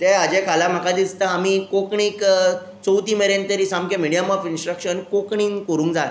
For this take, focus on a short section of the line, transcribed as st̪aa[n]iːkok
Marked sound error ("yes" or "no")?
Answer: yes